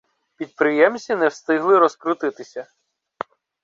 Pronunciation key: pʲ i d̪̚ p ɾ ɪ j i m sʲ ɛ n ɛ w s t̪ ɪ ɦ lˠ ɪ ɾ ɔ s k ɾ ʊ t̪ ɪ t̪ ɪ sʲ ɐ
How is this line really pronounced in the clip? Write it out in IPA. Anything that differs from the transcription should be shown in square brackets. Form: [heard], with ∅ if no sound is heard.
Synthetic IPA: pʲ i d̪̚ p ɾ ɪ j [ɛ] m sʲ [i] n ɛ w s t̪ ɪ ɦ lˠ ɪ ɾ ɔ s k ɾ ʊ t̪ ɪ t̪ ɪ sʲ ɐ